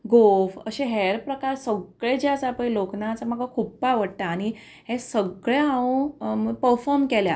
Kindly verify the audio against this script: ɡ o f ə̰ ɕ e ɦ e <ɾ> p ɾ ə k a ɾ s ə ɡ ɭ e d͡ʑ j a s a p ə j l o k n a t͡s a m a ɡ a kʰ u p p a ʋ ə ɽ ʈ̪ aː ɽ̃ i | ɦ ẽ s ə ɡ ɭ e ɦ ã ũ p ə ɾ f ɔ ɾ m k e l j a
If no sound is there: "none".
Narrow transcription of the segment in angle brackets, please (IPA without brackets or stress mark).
ɾ